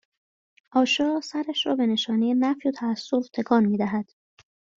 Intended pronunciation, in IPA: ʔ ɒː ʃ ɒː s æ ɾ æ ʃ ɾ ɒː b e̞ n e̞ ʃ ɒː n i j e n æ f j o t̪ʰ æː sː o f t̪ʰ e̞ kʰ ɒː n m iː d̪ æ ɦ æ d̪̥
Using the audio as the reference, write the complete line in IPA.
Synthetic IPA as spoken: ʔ ɒː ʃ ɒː s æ ɾ æ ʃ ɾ ɒː b e̞ n e̞ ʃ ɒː n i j e n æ f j o t̪ʰ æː sː o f t̪ʰ e̞ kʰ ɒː n m iː d̪ æ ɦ æ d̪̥